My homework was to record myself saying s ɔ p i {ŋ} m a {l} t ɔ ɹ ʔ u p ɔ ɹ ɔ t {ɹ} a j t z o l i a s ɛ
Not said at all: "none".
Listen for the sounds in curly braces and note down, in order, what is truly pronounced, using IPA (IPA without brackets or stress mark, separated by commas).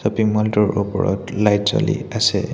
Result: ŋ, l, l